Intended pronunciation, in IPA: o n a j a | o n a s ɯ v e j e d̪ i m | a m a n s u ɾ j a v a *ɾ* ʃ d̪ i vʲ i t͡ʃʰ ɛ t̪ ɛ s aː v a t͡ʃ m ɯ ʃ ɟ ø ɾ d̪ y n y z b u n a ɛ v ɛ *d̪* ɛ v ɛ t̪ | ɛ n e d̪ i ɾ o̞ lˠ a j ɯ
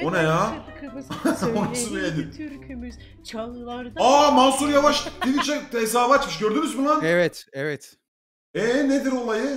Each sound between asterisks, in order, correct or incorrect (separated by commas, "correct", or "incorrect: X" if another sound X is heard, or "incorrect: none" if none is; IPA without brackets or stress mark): incorrect: none, incorrect: t̪